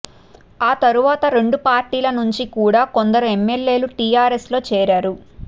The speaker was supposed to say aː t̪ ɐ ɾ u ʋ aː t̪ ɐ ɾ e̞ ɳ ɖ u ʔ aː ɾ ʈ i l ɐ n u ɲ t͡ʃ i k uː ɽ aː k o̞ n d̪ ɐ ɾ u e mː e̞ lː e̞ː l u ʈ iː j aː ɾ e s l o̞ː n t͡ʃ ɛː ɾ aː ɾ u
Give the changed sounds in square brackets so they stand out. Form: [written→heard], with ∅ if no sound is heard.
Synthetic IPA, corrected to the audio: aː t̪ ɐ ɾ u ʋ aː t̪ ɐ ɾ e̞ ɳ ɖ u [ʔ→p] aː ɾ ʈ [i→iː] l ɐ n u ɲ t͡ʃ i k uː ɽ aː k o̞ n d̪ ɐ ɾ u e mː e̞ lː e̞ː l u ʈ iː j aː ɾ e s l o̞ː [n→∅] t͡ʃ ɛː ɾ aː ɾ u